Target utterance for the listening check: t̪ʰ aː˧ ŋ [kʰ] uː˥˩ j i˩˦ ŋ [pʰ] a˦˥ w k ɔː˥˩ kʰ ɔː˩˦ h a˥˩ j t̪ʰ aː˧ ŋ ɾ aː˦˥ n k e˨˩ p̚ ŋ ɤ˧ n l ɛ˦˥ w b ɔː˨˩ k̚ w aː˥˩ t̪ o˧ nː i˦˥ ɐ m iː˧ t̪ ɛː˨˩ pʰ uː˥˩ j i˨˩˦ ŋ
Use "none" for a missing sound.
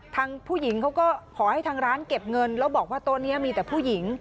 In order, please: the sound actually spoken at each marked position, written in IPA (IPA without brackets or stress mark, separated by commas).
pʰ, kʰ